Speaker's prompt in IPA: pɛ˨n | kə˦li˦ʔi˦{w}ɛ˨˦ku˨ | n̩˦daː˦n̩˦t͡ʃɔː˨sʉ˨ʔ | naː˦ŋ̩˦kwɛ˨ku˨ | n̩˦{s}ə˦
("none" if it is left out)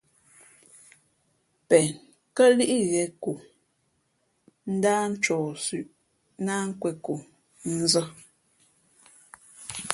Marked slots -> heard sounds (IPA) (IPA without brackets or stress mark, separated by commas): ɣ, z